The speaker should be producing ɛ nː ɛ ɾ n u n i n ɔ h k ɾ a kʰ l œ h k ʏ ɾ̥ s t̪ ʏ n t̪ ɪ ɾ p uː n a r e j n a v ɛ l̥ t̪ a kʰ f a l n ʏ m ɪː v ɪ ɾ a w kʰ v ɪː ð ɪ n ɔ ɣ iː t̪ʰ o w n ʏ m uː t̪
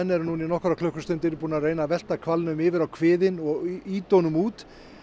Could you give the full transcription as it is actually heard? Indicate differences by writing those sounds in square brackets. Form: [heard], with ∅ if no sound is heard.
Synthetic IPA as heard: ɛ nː ɛ ɾ n u n i n ɔ h k ɾ a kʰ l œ h k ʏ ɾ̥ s t̪ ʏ n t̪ ɪ ɾ p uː n a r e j n a v ɛ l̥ t̪ a kʰ [v] a l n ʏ m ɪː v ɪ ɾ a w kʰ v ɪː ð ɪ n ɔ ɣ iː [t̪] o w n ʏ m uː t̪